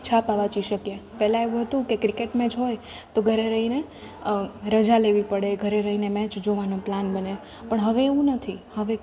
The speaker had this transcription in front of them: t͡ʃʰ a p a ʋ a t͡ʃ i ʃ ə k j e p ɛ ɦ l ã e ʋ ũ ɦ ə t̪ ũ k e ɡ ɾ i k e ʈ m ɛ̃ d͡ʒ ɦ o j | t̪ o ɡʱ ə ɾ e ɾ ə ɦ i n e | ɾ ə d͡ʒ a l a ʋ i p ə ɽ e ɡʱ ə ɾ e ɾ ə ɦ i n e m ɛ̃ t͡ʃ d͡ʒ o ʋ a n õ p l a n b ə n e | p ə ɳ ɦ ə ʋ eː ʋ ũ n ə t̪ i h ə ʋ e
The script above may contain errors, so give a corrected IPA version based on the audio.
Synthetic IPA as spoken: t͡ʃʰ a p a ʋ a t͡ʃ i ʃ ə k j e p ɛ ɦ l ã e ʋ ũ ɦ ə t̪ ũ k e k ɾ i k e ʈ m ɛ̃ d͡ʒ ɦ o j | t̪ o ɡʱ ə ɾ e ɾ ə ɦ i n e | ɾ ə d͡ʒ a l e ʋ i p ə ɽ e ɡʱ ə ɾ e ɾ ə ɦ i n e m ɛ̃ t͡ʃ d͡ʒ o ʋ a n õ p l a n b ə n e | p ə ɳ ɦ ə ʋ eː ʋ ũ n ə t̪ʰ i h ə ʋ e